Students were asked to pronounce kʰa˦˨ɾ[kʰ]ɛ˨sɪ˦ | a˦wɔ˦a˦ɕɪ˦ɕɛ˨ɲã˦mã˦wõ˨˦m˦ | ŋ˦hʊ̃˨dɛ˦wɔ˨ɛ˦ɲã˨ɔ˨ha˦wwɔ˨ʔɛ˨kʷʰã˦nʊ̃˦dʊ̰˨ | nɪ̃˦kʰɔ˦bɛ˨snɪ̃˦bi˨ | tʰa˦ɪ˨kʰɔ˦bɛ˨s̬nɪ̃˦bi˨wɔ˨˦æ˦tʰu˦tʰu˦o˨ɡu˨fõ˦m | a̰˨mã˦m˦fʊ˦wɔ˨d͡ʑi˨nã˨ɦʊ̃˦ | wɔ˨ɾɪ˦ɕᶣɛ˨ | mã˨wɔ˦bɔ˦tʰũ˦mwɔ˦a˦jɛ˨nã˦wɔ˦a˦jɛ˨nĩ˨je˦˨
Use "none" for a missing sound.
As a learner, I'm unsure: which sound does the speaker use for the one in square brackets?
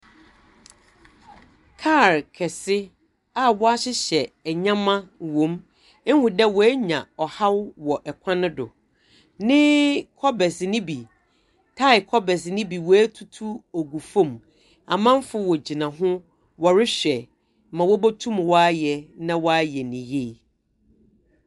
kʰ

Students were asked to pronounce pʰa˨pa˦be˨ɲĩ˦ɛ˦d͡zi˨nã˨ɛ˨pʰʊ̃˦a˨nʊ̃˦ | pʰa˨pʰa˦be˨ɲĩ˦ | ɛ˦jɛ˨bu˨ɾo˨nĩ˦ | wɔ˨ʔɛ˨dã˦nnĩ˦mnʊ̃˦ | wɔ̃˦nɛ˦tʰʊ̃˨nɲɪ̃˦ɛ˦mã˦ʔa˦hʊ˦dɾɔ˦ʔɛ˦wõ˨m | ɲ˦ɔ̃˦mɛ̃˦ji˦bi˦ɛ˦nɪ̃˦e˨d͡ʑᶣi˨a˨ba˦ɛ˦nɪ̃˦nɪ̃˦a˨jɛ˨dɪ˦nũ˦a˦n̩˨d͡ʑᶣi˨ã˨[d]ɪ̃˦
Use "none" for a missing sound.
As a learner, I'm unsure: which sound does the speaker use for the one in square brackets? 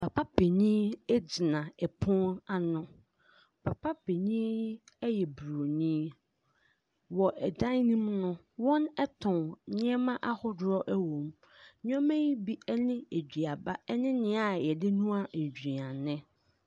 n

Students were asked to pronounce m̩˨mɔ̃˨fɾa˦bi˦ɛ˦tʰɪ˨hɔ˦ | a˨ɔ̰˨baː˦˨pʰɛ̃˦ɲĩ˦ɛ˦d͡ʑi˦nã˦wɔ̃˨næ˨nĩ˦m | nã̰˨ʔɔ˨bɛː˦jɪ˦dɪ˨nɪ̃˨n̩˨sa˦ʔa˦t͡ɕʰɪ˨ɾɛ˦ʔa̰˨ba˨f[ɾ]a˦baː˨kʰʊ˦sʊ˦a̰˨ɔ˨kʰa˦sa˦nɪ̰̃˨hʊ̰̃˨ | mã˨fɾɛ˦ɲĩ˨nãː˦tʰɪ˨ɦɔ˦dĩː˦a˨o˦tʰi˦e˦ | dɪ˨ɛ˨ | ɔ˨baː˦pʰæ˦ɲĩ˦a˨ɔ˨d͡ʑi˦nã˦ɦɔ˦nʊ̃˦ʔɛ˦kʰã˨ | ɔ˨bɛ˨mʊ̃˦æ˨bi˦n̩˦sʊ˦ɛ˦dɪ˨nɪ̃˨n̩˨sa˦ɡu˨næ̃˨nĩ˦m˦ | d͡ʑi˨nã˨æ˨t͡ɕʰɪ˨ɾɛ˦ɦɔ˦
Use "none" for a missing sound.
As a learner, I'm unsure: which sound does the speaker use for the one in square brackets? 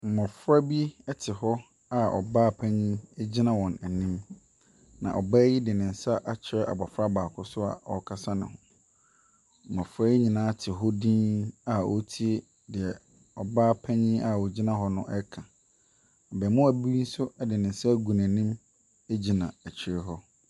ɾ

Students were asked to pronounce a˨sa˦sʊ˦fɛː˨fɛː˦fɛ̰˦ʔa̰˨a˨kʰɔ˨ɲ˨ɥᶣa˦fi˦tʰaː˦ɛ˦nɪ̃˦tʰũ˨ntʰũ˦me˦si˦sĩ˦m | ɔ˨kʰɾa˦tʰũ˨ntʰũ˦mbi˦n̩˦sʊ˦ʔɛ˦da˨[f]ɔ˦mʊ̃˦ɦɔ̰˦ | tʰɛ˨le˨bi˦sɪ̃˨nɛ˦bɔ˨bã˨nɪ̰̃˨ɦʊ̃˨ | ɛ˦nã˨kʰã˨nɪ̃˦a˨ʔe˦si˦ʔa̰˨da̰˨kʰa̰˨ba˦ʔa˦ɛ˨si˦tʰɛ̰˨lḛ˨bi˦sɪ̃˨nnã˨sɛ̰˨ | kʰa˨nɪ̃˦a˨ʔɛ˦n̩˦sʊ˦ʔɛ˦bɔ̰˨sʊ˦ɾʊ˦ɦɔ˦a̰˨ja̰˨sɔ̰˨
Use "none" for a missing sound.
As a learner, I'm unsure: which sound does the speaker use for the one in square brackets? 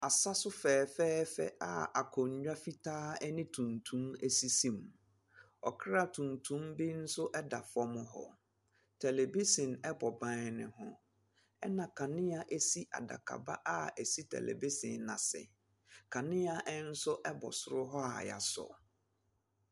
f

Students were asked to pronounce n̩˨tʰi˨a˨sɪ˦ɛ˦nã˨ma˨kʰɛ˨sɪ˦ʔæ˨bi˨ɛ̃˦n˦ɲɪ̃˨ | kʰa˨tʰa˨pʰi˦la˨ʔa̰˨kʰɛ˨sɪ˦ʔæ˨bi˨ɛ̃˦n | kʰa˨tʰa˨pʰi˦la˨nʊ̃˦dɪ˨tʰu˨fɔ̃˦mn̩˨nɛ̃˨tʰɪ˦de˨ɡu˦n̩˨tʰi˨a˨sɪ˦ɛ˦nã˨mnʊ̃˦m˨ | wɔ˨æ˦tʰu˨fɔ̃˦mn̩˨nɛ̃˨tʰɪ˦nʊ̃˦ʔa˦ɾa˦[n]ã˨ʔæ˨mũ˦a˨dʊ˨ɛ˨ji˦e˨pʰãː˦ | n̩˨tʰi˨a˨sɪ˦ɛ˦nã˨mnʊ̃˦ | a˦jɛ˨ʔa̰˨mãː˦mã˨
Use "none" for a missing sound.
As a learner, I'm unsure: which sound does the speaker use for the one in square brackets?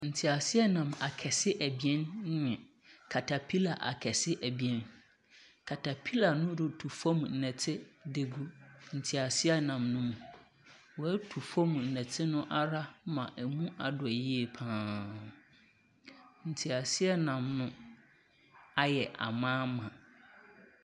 m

